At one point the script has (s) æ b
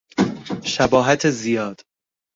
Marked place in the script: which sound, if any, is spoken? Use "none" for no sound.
ʃ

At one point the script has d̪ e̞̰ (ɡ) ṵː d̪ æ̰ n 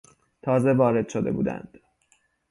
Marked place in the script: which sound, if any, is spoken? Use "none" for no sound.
b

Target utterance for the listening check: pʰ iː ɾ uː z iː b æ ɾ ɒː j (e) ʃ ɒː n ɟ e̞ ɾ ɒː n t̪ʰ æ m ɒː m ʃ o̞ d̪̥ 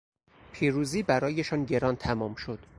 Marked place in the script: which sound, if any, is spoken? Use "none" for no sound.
e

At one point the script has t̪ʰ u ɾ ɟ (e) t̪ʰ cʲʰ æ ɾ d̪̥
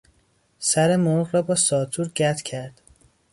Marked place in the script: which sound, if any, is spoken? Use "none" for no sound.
æ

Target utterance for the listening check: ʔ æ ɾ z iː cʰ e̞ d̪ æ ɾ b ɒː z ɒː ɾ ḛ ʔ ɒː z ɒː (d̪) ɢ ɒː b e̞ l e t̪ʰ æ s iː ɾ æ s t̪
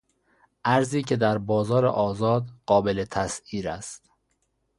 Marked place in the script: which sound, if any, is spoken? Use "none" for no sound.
d̪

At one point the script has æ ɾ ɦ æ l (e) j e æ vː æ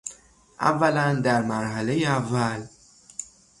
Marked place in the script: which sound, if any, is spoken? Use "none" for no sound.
e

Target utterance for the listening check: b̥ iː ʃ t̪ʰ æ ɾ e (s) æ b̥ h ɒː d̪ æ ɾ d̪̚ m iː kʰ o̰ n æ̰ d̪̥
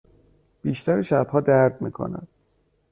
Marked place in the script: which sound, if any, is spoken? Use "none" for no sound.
ʃ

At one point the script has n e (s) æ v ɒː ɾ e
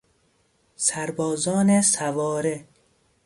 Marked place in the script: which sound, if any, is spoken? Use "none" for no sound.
s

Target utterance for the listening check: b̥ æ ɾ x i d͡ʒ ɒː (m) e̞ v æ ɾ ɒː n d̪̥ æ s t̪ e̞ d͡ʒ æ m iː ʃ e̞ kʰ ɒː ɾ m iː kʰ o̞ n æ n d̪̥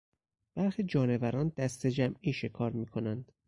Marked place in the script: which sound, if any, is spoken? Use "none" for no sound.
n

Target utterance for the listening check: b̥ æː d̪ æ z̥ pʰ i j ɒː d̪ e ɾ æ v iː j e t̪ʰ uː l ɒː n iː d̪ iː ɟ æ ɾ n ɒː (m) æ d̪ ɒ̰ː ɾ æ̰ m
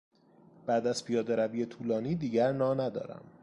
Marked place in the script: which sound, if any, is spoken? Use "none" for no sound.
n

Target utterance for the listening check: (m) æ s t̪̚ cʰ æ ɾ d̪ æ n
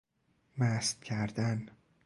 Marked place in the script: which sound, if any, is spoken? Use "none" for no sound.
m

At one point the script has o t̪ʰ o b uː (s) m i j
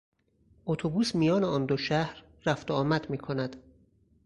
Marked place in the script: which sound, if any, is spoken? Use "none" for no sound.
s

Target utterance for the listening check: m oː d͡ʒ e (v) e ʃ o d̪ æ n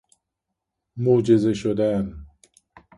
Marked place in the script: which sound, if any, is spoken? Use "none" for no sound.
z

